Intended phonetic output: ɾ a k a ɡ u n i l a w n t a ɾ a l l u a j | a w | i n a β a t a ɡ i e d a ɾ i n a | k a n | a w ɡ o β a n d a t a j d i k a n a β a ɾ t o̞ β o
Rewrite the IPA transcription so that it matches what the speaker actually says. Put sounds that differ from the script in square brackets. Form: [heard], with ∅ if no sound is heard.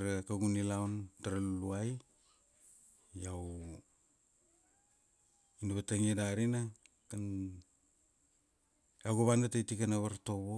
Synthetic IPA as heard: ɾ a k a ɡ u n i l a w n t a ɾ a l l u a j | a w | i n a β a t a [ŋ] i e d a ɾ i n a | k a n | a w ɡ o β a n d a t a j [t] i k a n a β a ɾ t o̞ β o